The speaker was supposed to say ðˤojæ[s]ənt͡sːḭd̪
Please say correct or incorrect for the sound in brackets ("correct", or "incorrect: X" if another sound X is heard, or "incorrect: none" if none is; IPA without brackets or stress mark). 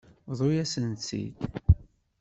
correct